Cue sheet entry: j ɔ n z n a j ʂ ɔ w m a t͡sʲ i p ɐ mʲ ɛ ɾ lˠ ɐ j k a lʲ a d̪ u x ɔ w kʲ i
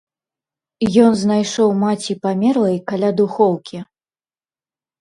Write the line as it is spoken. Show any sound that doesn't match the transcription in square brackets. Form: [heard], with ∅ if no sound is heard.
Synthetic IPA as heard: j ɔ n z n a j ʂ ɔ w m a t͡sʲ i p [a] mʲ ɛ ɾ lˠ ɐ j k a lʲ a d̪ u x ɔ w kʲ i